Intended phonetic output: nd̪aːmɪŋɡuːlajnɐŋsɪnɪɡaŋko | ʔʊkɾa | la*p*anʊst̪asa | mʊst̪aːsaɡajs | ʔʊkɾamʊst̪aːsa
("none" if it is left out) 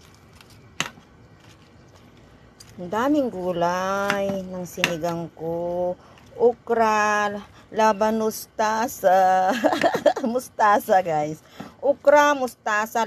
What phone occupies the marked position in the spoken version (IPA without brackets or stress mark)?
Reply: b